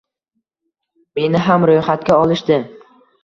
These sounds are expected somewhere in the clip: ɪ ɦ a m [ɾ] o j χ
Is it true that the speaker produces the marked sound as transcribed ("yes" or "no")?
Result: yes